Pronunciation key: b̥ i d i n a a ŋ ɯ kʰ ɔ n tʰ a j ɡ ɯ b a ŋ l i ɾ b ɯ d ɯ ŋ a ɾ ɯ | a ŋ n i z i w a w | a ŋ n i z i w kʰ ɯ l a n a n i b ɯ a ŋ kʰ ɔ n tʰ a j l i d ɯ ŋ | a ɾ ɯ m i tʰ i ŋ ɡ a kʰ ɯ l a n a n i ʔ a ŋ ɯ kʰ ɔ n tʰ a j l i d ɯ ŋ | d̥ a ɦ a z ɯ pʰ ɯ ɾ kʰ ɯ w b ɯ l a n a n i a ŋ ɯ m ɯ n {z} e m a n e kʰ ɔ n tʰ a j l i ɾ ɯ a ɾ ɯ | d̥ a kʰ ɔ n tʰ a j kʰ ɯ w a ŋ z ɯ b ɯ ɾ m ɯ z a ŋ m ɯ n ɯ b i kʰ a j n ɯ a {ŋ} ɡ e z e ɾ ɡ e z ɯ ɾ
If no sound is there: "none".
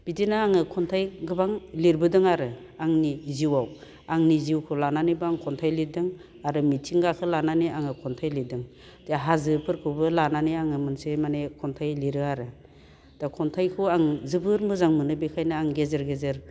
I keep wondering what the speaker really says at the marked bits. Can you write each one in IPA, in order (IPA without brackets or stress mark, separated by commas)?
s, ŋ